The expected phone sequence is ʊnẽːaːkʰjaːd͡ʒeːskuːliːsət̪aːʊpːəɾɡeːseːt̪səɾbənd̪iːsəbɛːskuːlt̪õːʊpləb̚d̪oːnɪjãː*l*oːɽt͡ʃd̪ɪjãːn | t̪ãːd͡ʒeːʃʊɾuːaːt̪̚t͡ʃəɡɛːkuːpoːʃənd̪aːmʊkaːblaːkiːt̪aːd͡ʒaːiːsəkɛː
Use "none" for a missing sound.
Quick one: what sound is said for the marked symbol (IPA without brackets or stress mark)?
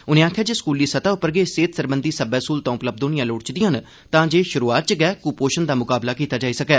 l